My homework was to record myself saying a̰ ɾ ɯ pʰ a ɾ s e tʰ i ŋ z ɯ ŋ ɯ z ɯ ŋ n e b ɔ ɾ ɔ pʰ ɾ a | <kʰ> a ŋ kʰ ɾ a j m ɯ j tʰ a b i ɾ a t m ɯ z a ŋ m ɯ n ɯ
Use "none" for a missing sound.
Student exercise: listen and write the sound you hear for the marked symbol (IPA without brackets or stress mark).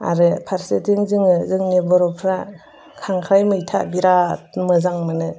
kʰ